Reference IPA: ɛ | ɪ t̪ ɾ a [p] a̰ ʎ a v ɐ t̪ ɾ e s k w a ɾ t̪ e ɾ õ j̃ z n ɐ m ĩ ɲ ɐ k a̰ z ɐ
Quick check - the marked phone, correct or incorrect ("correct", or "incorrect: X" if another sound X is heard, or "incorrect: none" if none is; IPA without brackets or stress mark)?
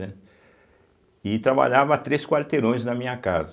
incorrect: b